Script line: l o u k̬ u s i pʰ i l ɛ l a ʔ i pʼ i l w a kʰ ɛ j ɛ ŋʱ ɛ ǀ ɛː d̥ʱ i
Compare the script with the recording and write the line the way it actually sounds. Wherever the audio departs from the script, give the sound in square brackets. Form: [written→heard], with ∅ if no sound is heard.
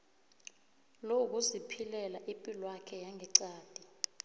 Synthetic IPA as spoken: l o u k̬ u [s→z] i pʰ i l ɛ l a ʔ i pʼ i l w a kʰ ɛ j [ɛ→a] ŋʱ ɛ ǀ [ɛː→aː] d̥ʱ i